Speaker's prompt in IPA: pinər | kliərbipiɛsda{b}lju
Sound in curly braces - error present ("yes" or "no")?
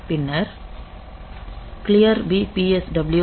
no